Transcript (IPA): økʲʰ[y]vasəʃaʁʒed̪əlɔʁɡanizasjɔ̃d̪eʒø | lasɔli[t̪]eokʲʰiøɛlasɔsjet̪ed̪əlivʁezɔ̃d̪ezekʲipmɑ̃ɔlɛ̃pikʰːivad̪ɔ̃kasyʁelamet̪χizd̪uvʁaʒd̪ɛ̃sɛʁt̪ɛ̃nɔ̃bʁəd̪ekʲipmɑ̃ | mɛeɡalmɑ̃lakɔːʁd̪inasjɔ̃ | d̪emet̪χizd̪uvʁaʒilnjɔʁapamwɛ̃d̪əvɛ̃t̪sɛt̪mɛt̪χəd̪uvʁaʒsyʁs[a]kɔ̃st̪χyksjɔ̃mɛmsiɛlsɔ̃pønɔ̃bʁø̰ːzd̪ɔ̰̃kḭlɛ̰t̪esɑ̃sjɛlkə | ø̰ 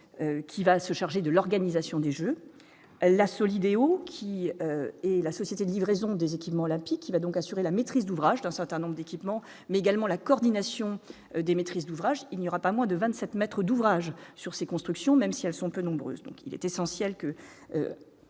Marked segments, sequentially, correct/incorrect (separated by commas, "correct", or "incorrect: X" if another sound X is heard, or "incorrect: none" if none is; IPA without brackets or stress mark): incorrect: i, incorrect: d̪, incorrect: e